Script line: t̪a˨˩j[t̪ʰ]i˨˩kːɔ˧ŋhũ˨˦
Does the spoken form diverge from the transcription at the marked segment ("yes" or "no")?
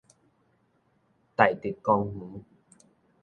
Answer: yes